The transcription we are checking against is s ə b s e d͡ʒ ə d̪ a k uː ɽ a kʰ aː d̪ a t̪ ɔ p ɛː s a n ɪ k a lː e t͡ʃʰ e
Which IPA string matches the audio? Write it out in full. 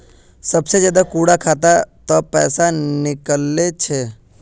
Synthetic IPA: s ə b s e d͡ʒ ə d̪ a k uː ɽ a kʰ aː t̪ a t̪ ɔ p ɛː s a n ɪ k ə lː e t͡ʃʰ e

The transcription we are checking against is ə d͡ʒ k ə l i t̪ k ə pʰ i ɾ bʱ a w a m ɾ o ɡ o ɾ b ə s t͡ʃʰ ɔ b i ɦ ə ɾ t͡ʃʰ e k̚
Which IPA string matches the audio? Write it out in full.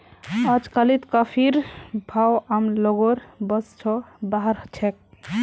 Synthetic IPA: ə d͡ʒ k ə l i t̪ k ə pʰ i ɾ bʱ a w a m l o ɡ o ɾ b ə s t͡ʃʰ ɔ b a ɦ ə ɾ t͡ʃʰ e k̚

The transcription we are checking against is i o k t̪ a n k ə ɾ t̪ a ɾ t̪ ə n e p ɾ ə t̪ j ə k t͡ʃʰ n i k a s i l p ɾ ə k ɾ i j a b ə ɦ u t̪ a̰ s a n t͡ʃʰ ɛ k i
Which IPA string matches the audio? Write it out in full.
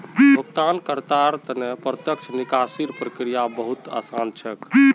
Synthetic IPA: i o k t̪ a n k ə ɾ t̪ a ɾ t̪ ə n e p ɾ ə t̪ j ə k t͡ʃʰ n i k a s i ɾ p ɾ ə k ɾ i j a b ə ɦ u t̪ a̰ s a n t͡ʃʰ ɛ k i

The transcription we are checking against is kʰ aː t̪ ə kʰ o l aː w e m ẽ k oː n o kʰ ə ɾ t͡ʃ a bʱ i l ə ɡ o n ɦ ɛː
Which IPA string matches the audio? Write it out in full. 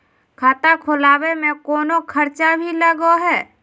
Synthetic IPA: kʰ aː t̪ a kʰ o l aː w e m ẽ k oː n o kʰ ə ɾ t͡ʃ a bʱ i l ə ɡ o ɦ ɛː

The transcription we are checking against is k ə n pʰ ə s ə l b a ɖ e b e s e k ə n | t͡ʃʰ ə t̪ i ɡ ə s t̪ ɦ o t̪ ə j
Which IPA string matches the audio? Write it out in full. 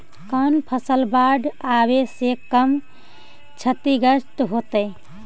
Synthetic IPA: k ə n pʰ ə s ə l b a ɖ a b e s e k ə m | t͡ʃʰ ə t̪ i ɡ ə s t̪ ɦ o t̪ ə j

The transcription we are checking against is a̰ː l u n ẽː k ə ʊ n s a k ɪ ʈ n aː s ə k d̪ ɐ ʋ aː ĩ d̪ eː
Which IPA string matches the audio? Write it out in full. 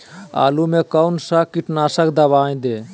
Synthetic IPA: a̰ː l u m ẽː k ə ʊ n s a k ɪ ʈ n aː s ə k d̪ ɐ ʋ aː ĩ d̪ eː

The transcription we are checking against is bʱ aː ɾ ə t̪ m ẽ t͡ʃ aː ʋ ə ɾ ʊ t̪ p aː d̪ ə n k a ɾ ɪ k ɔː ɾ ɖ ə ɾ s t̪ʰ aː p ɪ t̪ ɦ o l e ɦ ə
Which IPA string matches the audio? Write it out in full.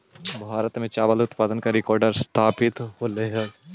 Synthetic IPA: bʱ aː ɾ ə t̪ m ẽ t͡ʃ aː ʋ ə l ʊ t̪ p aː d̪ ə n k a ɾ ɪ k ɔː ɾ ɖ ə ɾ s t̪ʰ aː p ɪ t̪ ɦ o l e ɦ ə

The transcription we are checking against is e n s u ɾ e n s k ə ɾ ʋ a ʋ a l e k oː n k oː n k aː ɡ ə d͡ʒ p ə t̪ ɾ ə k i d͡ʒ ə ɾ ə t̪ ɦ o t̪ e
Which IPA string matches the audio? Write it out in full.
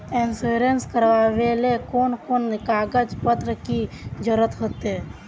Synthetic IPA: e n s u ɾ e n s k ə ɾ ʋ a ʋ e l e k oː n k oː n k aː ɡ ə d͡ʒ p ə t̪ ɾ ə k i d͡ʒ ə ɾ ə t̪ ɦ o t̪ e

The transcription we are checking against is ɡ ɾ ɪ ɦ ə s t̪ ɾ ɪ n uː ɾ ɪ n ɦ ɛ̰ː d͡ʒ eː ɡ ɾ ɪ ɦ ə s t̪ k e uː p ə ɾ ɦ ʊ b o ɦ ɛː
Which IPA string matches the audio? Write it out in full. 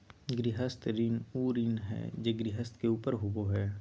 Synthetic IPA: ɡ ɾ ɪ ɦ ə s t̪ ɾ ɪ n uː ɾ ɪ n ɦ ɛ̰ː d͡ʒ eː ɡ ɾ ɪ ɦ ə s t̪ k e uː p ə ɾ ɦ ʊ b o ɦ ɛː

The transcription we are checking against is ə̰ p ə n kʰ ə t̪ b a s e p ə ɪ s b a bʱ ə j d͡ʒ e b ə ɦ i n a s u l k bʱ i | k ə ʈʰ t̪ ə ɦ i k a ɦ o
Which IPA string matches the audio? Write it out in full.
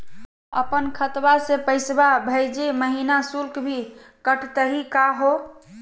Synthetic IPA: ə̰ p ə n kʰ ə t̪ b a s e p ə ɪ s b a bʱ ə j d͡ʒ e m ə ɦ i n a s u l k bʱ i | k ə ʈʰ t̪ ə ɦ i k a ɦ o

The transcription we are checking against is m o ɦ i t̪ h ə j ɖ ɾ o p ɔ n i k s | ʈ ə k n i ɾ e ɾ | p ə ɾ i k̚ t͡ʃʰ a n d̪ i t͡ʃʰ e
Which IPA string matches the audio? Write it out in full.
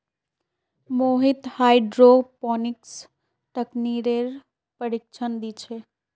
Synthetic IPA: m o ɦ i t̪ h a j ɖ ɾ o p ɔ n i k s | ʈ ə k n i ɾ e ɾ | p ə ɾ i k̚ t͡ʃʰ ə n d̪ i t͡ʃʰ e

